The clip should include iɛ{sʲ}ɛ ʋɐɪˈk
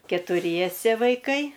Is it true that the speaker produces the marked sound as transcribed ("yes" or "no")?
yes